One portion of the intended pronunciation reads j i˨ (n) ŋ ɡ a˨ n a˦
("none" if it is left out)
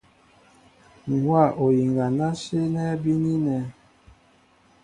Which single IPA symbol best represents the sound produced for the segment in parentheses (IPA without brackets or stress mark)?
none